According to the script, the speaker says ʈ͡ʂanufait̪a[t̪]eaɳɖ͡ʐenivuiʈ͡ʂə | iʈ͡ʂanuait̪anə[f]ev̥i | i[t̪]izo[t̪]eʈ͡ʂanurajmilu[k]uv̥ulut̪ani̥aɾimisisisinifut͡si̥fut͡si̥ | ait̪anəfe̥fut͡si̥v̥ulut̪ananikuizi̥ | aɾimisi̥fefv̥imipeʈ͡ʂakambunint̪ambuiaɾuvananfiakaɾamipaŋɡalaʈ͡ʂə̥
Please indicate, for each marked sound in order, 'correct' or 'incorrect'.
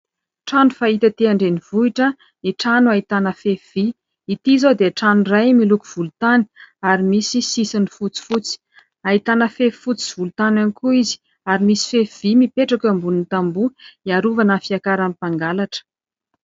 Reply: correct, correct, correct, incorrect: d̪, correct

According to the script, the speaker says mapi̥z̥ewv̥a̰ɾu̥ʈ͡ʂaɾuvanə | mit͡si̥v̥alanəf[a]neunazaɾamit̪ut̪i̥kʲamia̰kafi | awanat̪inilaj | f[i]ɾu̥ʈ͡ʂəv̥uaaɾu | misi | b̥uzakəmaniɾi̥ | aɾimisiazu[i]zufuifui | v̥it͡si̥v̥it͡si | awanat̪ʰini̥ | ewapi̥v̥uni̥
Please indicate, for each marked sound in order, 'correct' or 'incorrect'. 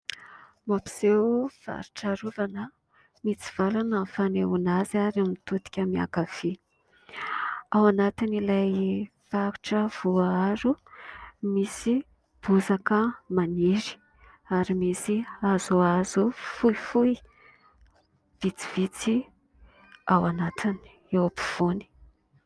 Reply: correct, incorrect: a, incorrect: a

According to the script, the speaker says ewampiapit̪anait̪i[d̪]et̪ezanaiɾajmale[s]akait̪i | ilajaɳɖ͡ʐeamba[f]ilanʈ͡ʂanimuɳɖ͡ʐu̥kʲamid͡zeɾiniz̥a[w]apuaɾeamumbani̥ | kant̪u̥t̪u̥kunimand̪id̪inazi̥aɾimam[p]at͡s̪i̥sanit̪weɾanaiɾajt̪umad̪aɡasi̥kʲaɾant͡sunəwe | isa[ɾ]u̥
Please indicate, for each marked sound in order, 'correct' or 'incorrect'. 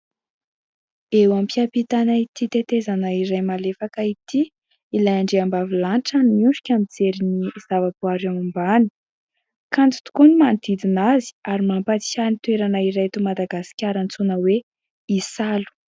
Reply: incorrect: t̪, incorrect: f, incorrect: v, incorrect: v, correct, incorrect: l

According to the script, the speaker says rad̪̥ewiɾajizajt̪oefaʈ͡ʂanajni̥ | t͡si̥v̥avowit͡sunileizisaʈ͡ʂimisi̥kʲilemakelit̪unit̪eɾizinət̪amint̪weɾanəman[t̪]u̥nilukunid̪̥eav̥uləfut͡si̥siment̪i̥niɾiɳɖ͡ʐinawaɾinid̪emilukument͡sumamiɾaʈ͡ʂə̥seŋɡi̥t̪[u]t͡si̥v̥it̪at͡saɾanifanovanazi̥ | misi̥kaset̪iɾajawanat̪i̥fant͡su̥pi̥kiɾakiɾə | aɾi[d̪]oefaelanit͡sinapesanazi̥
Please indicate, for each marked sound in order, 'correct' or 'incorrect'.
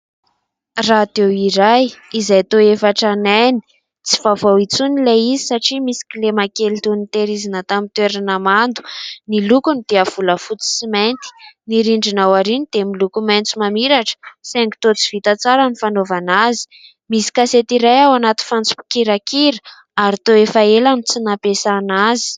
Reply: incorrect: d̪, incorrect: o, incorrect: t̪

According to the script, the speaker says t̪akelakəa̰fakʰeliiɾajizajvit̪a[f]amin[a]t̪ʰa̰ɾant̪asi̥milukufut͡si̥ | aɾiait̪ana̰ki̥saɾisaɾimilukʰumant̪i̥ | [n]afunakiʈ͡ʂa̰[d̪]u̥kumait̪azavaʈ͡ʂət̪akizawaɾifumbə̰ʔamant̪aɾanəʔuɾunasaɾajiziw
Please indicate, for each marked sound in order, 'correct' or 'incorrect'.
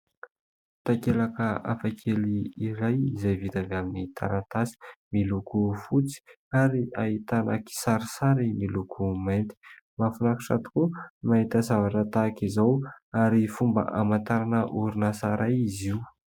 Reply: incorrect: v, incorrect: i, incorrect: m, incorrect: t̪

